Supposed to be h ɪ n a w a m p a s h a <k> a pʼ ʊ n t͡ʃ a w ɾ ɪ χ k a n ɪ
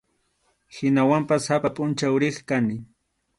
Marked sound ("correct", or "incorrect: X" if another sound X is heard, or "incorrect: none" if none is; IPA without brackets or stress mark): incorrect: p